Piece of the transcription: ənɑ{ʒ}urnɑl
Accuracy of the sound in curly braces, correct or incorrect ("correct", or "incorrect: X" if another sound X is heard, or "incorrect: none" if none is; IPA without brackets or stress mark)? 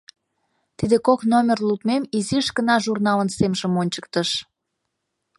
correct